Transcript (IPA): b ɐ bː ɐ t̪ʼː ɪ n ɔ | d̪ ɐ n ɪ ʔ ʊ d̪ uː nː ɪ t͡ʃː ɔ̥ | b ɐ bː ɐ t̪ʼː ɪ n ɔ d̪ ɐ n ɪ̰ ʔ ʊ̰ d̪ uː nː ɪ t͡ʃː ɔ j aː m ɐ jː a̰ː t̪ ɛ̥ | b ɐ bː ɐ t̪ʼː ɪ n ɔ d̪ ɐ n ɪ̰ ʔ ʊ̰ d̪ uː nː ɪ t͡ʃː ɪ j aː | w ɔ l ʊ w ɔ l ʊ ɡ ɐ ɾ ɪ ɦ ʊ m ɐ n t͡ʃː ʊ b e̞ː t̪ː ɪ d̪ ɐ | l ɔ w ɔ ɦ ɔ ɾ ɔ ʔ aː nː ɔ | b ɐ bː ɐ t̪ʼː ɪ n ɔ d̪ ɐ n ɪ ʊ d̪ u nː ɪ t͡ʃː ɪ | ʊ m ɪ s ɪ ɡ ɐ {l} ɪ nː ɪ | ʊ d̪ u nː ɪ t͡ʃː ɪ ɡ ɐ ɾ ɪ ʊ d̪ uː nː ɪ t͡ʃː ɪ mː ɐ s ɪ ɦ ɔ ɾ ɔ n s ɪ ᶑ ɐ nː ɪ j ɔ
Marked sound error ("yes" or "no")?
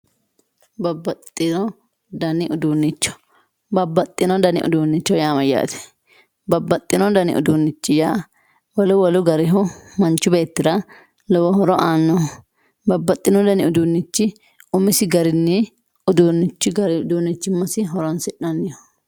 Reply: yes